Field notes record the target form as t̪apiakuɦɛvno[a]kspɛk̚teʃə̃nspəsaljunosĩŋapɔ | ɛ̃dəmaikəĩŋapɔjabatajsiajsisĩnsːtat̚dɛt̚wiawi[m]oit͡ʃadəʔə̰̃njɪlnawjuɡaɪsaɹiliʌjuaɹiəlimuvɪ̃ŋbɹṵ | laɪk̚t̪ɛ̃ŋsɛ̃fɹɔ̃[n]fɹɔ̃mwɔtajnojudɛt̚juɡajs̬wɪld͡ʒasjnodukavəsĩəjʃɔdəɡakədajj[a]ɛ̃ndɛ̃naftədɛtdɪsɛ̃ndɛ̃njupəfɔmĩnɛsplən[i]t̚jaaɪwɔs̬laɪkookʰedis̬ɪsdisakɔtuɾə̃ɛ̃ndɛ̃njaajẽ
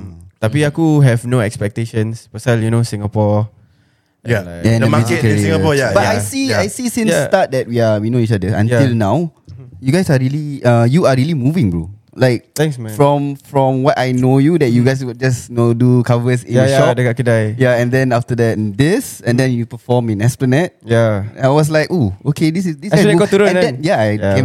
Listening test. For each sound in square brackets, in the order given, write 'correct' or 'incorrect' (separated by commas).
incorrect, incorrect, incorrect, correct, incorrect